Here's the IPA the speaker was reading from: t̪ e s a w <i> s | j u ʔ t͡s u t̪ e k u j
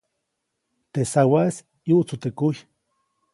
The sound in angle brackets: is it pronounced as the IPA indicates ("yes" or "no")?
no